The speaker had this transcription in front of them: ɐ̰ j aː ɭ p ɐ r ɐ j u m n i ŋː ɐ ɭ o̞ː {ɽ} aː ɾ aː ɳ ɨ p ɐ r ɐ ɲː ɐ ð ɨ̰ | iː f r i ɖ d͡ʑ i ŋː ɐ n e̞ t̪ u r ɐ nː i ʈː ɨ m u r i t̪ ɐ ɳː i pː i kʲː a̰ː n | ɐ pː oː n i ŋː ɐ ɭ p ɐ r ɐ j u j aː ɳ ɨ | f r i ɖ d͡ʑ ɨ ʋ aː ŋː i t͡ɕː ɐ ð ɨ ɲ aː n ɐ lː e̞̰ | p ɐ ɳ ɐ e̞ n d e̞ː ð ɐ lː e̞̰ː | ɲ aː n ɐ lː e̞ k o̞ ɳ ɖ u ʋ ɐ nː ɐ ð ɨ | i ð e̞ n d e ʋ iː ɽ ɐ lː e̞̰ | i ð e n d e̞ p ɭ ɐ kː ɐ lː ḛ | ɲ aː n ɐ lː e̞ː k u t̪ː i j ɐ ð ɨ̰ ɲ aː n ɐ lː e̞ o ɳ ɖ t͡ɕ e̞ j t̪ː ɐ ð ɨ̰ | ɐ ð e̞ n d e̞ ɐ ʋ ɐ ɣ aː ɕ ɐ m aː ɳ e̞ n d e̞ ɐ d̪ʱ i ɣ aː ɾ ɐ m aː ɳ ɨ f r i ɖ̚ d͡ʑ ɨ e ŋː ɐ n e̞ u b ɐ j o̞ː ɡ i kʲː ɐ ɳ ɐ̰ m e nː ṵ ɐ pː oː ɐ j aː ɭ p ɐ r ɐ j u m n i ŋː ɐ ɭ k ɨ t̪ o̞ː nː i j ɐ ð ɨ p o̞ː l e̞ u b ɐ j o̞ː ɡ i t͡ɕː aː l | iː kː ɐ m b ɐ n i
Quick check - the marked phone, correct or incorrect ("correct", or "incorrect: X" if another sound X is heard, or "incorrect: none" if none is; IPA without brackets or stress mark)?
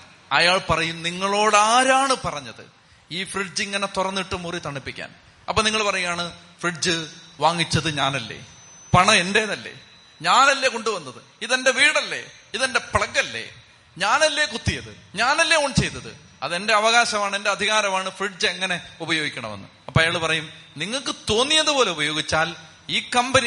correct